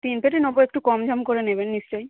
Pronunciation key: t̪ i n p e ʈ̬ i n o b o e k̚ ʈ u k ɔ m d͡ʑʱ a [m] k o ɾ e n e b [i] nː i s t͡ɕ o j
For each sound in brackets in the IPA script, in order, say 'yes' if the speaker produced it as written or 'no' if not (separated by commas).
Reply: yes, no